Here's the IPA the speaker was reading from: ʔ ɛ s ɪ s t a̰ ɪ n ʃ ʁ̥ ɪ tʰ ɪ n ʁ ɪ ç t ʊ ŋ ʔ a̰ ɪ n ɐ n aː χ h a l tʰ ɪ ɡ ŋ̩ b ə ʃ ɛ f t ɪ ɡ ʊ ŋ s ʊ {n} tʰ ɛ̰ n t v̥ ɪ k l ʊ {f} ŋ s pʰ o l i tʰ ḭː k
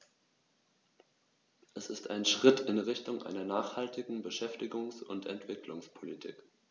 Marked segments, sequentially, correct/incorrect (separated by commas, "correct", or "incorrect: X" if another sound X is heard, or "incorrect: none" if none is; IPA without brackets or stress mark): correct, incorrect: none